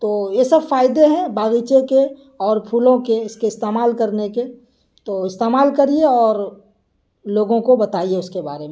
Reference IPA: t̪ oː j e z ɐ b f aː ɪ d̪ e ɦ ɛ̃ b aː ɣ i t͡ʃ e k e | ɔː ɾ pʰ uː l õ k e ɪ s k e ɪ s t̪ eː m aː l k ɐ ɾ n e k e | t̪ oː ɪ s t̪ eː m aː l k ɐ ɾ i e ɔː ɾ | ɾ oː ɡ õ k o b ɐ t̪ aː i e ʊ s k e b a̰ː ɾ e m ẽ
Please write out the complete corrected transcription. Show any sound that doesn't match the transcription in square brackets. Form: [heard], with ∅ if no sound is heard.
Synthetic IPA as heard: t̪ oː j e [s] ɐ b f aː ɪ d̪ e ɦ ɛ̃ b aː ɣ i t͡ʃ e k e | ɔː ɾ pʰ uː l õ k e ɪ s k e ɪ s t̪ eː m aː l k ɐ ɾ n e k e | t̪ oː ɪ s t̪ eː m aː l k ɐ ɾ i e ɔː ɾ | [l] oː ɡ õ k o b ɐ t̪ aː i e ʊ s k e b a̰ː ɾ e m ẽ